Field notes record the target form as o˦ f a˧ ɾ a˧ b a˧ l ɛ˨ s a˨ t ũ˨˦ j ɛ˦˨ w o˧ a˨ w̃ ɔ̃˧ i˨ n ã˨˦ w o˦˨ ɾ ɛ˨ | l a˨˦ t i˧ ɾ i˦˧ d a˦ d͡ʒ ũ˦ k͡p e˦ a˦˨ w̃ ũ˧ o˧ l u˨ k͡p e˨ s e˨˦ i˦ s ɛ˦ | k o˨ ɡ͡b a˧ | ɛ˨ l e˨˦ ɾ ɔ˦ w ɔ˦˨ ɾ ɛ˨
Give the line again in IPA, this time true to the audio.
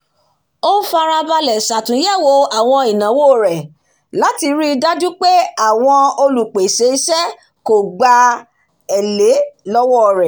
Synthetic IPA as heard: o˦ f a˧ ɾ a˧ b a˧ l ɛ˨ s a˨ t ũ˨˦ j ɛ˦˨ w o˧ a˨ w̃ ɔ̃˧ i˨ n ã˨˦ w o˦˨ ɾ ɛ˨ | l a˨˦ t i˧ ɾ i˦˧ d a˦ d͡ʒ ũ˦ k͡p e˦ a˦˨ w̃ ɔ̃˧ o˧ l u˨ k͡p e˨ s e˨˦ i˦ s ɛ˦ | k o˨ ɡ͡b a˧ | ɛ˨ l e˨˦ l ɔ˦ w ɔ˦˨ ɾ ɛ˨

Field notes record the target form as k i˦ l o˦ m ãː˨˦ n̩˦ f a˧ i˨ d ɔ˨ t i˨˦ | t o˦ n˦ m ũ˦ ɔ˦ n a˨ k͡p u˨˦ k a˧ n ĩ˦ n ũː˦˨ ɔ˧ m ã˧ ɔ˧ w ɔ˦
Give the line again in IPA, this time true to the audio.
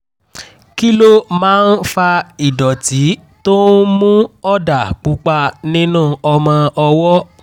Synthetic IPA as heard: k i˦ l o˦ m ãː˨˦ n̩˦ f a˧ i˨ d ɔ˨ t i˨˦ | t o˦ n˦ m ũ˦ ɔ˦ d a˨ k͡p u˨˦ k͡p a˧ n ĩ˦ n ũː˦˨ ɔ˧ m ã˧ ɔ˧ w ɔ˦

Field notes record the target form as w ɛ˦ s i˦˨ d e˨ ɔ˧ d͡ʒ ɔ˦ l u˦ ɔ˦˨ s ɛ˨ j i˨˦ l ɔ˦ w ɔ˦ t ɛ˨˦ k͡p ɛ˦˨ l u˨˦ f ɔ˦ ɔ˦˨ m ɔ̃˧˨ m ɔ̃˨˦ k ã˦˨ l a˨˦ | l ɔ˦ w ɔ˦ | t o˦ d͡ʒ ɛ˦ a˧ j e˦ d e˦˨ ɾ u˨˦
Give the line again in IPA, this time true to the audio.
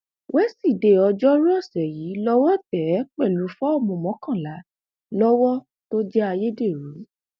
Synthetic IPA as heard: w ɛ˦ s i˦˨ d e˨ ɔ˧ d͡ʒ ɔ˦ ɾ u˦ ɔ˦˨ s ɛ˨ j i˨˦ l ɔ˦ w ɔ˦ t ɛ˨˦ k͡p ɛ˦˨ l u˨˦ f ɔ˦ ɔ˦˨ m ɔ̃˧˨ m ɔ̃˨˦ k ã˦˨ l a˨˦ | l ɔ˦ w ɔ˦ | t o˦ d͡ʒ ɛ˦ a˧ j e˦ d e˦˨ ɾ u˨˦

